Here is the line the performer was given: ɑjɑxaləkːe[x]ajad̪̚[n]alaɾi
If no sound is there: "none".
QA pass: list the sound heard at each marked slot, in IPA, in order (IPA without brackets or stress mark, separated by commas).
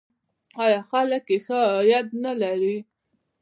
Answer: x, n